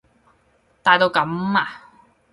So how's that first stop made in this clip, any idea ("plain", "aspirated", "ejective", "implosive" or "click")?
plain